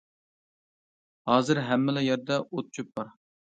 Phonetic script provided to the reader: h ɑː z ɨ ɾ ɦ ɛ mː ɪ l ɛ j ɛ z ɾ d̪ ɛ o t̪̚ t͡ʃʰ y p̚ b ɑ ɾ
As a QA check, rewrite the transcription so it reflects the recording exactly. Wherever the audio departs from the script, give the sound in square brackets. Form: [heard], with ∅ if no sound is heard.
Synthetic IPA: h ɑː z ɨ ɾ ɦ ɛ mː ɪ l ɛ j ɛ [∅] ɾ d̪ ɛ o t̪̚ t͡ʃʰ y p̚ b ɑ ɾ

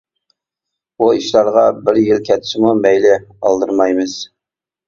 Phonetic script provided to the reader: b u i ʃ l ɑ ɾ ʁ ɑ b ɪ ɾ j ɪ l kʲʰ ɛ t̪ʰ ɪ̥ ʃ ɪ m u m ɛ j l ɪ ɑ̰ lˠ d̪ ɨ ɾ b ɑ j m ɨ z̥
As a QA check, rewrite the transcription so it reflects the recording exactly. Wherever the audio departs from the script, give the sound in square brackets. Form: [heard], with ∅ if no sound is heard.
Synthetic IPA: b u i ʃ l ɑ ɾ ʁ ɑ b ɪ ɾ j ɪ l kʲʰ ɛ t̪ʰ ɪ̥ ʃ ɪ m u m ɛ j l ɪ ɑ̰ lˠ d̪ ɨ ɾ [m] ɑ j m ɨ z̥

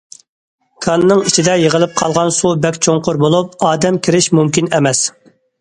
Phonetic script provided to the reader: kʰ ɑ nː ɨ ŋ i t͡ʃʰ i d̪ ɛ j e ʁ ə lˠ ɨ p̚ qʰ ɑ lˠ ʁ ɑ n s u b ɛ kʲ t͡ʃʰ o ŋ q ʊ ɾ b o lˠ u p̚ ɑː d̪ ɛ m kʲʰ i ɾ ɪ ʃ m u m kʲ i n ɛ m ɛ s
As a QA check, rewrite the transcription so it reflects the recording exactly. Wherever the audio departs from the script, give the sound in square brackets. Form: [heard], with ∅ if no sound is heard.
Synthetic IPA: kʰ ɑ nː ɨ ŋ i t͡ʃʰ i d̪ ɛ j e ʁ ə lˠ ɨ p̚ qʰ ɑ lˠ ʁ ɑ n s u b ɛ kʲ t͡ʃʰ o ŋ q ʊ ɾ b o lˠ u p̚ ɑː d̪ ɛ m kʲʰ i ɾ ɪ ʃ m u m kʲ i n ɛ m ɛ s

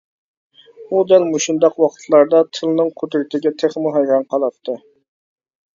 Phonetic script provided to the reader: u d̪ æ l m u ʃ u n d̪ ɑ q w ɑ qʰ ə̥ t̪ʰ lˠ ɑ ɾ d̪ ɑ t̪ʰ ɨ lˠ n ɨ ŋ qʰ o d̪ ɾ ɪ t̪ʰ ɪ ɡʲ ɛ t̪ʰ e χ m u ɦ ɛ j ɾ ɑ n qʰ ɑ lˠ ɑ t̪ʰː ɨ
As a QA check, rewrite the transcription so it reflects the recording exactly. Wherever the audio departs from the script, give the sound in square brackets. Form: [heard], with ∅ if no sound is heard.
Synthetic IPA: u d̪ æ l m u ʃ u n d̪ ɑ q w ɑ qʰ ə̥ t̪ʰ lˠ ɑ ɾ d̪ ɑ t̪ʰ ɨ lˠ n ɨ ŋ qʰ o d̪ ɾ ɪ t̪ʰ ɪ ɡʲ ɛ t̪ʰ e χ m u ɦ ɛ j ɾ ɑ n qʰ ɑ lˠ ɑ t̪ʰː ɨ

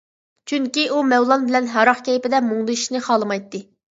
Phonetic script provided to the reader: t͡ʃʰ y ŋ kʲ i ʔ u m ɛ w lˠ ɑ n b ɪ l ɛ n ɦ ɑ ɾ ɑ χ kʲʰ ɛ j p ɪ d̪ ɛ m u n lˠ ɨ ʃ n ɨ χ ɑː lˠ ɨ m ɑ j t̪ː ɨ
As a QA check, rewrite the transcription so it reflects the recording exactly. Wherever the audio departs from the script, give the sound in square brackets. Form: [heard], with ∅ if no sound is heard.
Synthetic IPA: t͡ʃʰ y ŋ kʲ i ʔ u m ɛ w lˠ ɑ n b ɪ l ɛ n ɦ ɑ ɾ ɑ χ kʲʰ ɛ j p ɪ d̪ ɛ m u [ŋ] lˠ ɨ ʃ n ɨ χ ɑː lˠ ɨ m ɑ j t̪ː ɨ

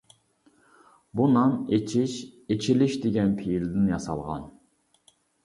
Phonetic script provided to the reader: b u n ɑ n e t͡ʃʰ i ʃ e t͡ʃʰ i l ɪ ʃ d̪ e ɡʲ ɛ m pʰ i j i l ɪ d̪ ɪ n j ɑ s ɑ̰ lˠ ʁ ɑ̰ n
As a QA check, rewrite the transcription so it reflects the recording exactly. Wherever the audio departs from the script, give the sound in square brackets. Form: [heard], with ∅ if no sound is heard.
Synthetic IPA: b u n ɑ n e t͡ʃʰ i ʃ e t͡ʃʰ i l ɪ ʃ d̪ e ɡʲ ɛ [n] pʰ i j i l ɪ d̪ ɪ n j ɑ s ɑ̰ lˠ ʁ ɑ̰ n

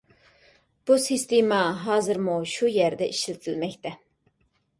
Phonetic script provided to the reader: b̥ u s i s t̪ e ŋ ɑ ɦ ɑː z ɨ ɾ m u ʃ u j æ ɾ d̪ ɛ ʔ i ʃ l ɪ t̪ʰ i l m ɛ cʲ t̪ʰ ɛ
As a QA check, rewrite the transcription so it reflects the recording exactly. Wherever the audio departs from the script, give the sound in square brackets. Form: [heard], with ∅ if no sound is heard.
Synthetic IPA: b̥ u s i s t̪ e [m] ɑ ɦ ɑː z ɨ ɾ m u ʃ u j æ ɾ d̪ ɛ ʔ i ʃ l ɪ t̪ʰ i l m ɛ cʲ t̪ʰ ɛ

